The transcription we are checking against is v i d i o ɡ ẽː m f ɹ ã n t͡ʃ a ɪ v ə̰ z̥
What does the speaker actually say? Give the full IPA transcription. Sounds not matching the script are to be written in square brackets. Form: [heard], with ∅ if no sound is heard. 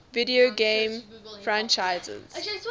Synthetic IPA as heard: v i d i o ɡ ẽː m f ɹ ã n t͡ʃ a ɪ [z] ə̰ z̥

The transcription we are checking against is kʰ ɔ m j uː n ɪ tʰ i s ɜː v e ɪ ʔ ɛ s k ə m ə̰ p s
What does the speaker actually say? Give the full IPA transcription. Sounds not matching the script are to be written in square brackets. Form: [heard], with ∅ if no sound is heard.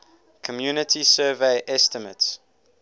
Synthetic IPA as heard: kʰ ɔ m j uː n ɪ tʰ i s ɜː v e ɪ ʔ ɛ s [t] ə m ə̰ [t] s

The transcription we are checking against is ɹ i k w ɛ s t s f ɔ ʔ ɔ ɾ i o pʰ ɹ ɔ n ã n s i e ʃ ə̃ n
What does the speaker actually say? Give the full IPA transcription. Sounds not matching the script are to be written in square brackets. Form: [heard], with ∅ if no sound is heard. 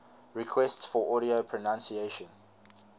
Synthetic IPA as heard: ɹ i [kʰ] w ɛ s t s f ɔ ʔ ɔ ɾ i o pʰ ɹ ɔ n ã n s i e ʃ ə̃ n

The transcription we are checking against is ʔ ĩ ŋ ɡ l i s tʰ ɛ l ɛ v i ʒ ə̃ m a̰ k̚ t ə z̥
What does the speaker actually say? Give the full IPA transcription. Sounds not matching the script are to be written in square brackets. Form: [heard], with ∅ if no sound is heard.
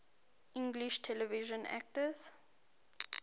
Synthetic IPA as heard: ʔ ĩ ŋ ɡ l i [ʃ] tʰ ɛ l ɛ v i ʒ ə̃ [n] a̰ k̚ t ə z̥

